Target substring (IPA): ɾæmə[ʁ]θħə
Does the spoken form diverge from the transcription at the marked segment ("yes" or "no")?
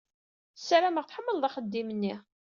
no